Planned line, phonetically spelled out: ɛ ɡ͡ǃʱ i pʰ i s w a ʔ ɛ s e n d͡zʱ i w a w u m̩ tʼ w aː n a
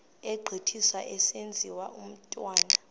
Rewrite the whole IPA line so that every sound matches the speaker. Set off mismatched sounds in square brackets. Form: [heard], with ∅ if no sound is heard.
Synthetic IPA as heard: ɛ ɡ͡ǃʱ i [tʰ] i s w a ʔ ɛ s e n d͡zʱ i w a [∅] u m̩ tʼ w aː n a

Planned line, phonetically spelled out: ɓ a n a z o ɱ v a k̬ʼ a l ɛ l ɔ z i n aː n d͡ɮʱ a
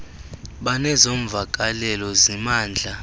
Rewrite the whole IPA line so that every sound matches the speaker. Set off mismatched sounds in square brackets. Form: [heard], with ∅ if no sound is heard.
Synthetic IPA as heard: ɓ a n [ɛ] z o ɱ v a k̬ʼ a l ɛ l ɔ z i [m] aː n d͡ɮʱ a

